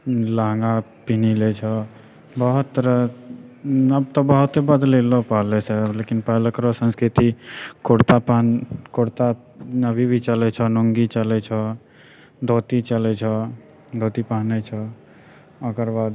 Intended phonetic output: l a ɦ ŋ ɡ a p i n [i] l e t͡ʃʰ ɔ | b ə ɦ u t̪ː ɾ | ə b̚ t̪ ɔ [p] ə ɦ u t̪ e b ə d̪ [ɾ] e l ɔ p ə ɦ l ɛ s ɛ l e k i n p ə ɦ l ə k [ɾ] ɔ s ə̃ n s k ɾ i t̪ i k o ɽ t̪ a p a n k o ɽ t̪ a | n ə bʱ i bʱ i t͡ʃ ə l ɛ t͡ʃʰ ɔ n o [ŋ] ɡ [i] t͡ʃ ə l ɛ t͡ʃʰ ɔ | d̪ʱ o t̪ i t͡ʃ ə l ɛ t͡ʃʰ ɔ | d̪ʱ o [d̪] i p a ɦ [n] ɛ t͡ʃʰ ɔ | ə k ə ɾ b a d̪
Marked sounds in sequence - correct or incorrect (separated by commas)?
correct, incorrect, incorrect, correct, correct, correct, incorrect, correct